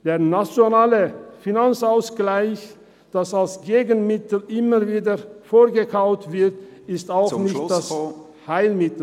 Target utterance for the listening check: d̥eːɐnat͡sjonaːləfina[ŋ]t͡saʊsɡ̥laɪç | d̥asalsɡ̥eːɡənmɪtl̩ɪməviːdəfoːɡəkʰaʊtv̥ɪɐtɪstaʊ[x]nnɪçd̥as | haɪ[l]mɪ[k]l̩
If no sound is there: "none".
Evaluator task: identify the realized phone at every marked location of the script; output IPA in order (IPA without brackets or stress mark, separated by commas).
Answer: n, x, l, t